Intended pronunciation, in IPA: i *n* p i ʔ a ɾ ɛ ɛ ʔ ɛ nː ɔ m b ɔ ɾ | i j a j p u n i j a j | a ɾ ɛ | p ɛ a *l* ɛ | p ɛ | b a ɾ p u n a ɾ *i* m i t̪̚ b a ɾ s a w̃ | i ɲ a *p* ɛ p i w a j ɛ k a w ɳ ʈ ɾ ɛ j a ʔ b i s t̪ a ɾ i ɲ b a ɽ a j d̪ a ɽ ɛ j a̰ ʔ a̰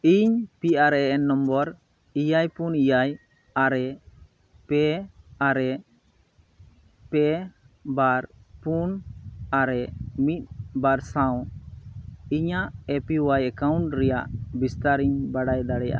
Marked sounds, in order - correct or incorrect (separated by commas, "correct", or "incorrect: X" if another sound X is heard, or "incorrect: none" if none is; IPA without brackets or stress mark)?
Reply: incorrect: ɲ, incorrect: ɾ, incorrect: ɛ, incorrect: ʔ